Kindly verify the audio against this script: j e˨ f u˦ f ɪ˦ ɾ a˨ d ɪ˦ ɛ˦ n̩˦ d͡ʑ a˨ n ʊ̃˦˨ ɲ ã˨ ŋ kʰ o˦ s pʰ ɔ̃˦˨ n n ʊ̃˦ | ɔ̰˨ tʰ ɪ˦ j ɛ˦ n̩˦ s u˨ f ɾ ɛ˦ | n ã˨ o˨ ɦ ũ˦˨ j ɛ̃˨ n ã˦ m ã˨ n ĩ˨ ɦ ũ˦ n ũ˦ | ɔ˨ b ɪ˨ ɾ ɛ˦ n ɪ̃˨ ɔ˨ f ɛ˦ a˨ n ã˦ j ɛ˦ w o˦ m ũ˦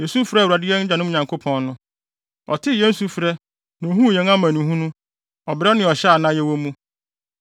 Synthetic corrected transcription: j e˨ s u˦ f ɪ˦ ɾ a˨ d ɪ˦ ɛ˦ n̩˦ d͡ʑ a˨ n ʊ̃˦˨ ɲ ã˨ ŋ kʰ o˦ pʰ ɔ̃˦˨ n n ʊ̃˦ | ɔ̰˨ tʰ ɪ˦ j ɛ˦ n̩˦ s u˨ f ɾ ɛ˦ | n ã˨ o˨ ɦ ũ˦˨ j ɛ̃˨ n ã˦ m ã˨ n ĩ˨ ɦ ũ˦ n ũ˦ | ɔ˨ b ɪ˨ ɾ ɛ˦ n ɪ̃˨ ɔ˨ ɕ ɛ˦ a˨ n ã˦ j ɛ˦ w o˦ m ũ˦